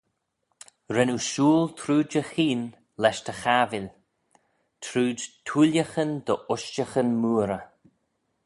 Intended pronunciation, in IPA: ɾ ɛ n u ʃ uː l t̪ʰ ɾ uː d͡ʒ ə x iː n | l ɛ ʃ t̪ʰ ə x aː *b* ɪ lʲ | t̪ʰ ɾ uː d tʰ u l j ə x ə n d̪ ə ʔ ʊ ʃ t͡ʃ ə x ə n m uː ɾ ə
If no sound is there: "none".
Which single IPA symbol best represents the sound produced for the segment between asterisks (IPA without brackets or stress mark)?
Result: v